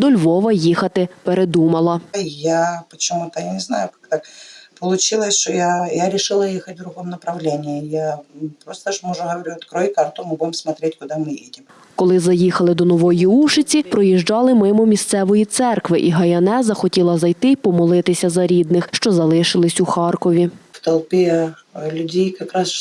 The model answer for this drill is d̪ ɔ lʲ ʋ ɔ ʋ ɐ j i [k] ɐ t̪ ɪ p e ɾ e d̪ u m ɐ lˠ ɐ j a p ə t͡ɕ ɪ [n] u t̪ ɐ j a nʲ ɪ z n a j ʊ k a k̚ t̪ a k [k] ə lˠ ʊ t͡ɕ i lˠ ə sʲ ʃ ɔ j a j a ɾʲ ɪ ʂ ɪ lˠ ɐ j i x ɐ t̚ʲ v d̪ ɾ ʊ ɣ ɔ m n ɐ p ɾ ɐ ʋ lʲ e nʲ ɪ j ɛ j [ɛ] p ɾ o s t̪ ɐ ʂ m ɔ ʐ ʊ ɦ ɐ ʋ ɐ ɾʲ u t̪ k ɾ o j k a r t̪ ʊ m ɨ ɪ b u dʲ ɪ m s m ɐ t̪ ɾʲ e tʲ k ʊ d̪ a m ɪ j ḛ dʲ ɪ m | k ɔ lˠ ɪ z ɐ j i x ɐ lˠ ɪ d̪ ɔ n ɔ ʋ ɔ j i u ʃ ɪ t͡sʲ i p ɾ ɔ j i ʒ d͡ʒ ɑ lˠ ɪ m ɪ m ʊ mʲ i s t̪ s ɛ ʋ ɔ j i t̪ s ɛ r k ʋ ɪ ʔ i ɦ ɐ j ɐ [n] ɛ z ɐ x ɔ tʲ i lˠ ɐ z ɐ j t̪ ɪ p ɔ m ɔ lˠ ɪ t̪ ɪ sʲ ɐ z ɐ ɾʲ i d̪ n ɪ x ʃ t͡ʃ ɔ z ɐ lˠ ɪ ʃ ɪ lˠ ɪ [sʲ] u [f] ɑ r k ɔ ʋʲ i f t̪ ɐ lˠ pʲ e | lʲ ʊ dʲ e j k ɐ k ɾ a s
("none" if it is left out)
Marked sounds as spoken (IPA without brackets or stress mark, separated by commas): x, m, p, a, n, sʲ, x